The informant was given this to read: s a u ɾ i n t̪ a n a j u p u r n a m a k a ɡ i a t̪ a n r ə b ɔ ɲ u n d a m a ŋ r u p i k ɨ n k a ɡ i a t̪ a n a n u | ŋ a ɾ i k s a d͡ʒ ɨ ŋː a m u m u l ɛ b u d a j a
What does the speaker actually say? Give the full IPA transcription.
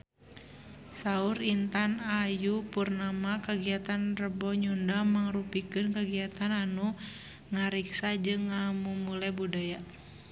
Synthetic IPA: s a u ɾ i n t̪ a n a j u p u r n a m a k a ɡ i a t̪ a n r ə b ɔ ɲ u n d a m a ŋ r u p i k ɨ n k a ɡ i a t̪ a n a n u | ŋ a ɾ i k s a d͡ʒ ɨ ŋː a m u m u l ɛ b u d a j a